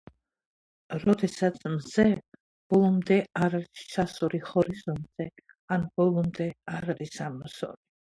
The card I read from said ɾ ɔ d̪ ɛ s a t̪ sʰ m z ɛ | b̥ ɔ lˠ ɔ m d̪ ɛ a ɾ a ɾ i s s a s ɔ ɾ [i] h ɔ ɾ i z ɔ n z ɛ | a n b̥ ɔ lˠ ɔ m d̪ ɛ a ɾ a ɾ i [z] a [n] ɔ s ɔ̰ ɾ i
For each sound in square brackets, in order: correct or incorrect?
correct, incorrect: s, incorrect: m

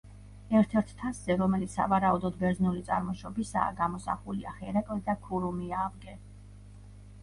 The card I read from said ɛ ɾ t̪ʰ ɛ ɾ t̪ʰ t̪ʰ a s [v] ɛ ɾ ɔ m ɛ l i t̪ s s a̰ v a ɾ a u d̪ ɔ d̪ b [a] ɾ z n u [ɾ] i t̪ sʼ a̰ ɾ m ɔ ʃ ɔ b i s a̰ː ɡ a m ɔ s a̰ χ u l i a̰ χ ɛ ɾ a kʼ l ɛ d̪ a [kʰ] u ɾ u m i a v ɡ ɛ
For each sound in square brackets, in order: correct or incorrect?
incorrect: z, incorrect: ɛ, incorrect: l, correct

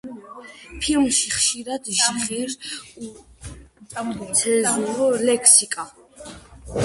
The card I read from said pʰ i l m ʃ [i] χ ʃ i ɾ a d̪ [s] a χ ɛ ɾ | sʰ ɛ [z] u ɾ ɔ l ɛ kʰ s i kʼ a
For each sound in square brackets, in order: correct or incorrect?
correct, incorrect: ʃ, correct

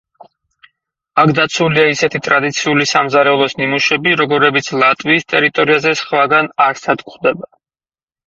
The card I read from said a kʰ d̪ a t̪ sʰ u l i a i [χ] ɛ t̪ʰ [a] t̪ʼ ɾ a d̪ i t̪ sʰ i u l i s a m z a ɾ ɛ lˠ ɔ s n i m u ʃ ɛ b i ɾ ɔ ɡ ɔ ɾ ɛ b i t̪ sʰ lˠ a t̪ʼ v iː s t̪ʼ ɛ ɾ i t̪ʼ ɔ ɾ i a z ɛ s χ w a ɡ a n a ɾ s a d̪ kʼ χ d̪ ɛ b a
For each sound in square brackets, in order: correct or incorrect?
incorrect: s, incorrect: i

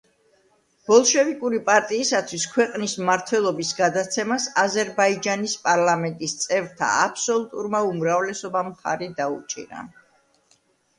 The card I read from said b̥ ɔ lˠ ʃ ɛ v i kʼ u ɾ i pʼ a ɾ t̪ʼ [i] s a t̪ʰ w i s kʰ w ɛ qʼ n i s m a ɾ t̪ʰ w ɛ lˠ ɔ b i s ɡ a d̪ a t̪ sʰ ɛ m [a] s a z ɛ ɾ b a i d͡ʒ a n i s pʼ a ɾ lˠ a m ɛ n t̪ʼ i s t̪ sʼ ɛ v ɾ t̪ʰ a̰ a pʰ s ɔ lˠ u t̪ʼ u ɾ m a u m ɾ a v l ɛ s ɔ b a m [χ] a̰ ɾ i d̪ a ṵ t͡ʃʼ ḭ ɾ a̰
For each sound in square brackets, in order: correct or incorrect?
incorrect: iː, correct, correct

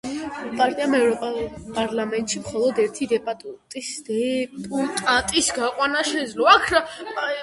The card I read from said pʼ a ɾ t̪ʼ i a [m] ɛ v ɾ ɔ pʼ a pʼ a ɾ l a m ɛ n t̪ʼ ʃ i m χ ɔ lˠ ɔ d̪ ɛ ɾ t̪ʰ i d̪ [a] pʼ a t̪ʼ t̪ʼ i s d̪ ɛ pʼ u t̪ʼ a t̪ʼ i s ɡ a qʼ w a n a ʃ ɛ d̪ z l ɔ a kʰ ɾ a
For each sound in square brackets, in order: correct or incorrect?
correct, incorrect: ɛ

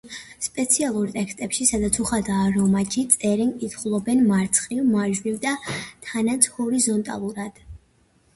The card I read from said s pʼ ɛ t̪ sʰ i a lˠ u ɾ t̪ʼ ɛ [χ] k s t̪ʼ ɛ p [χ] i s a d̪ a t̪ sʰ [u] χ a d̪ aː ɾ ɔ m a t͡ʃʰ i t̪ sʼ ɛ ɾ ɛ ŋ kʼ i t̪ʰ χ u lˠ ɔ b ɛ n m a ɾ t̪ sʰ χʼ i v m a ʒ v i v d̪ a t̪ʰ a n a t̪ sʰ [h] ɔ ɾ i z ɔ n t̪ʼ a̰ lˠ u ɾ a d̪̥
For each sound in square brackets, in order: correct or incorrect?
incorrect: none, incorrect: ʃ, correct, correct

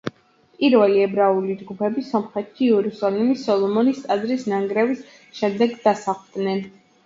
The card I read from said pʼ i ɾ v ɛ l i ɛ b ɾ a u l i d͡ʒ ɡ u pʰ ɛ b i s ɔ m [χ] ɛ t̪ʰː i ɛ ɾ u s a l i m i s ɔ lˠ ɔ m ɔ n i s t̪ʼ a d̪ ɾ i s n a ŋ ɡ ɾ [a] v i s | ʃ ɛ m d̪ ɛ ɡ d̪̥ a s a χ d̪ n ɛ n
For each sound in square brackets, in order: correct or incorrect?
correct, incorrect: ɛ

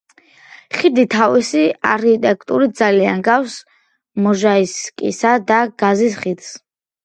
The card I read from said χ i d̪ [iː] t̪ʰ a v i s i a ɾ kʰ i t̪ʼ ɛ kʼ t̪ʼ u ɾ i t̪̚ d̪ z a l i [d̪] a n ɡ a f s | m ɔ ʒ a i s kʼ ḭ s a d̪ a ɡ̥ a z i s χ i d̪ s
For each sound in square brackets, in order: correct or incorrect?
incorrect: i, incorrect: none

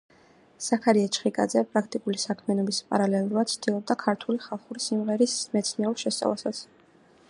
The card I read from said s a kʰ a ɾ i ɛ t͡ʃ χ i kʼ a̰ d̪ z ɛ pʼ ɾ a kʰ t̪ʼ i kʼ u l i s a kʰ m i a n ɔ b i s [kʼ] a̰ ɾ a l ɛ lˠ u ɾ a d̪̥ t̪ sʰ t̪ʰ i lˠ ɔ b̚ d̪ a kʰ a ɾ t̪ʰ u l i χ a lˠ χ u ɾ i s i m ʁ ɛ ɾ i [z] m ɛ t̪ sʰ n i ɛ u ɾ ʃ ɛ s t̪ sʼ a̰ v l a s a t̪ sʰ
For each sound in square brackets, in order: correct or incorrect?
incorrect: pʼ, incorrect: s

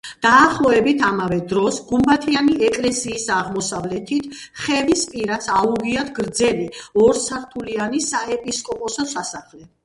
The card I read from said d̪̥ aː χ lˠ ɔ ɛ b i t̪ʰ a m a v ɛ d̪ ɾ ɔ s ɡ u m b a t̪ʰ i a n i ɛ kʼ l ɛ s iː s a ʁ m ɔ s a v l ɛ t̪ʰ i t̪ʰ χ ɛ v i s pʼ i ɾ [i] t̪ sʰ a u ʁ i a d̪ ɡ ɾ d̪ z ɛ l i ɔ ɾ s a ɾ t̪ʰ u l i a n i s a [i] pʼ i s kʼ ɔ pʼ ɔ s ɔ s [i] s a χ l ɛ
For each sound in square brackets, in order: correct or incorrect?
incorrect: a, incorrect: ɛ, incorrect: a

